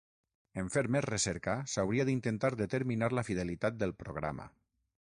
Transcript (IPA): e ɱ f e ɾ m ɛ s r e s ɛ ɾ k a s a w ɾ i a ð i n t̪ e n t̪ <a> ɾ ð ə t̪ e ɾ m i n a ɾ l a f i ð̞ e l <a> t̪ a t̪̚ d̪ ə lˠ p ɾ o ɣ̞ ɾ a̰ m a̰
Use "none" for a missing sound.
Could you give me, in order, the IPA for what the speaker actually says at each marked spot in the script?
a, i

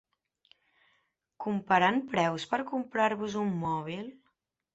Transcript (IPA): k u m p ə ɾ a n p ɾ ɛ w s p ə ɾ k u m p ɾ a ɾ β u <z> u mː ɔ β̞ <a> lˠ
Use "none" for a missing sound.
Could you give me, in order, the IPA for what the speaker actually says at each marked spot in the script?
z, i

